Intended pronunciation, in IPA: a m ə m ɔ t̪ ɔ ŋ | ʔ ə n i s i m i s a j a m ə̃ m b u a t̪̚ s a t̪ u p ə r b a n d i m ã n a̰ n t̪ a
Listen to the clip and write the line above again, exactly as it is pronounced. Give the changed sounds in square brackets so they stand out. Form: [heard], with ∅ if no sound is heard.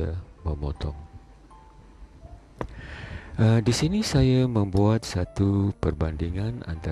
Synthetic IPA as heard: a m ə m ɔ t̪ ɔ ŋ | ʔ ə [d] i s i [n] i s a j a m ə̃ m b u a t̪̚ s a t̪ u p ə r b a n d i [ŋ] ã n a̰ n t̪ a